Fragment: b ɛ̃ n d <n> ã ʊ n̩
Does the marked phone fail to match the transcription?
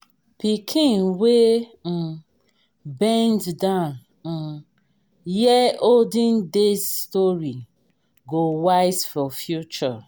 yes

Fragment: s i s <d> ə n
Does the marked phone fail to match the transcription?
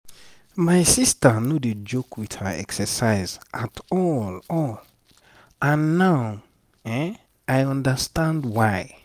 yes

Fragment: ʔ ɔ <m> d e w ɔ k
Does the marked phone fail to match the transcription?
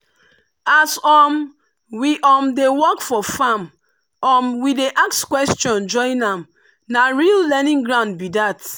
no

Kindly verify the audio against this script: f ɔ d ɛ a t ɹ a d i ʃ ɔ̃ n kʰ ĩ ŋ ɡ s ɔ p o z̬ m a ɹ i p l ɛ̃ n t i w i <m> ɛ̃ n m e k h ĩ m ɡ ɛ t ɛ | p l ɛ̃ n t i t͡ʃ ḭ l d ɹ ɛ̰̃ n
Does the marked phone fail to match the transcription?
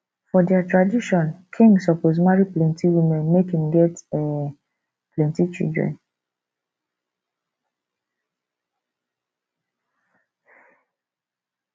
no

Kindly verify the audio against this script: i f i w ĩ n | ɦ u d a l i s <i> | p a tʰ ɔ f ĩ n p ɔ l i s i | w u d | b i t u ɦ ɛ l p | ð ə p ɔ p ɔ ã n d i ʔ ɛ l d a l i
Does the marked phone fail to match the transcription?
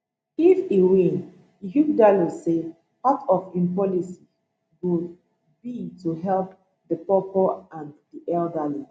yes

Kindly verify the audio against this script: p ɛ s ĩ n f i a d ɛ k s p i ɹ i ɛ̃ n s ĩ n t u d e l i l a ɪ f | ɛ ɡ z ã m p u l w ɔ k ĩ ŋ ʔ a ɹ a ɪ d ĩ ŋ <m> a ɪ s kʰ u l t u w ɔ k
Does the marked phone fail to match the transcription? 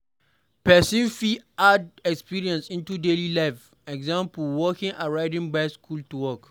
yes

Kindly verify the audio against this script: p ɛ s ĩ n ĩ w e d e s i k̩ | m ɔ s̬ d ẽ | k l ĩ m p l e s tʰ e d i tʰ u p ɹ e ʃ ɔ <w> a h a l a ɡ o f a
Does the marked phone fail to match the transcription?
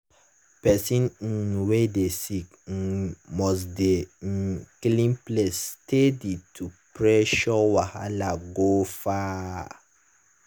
no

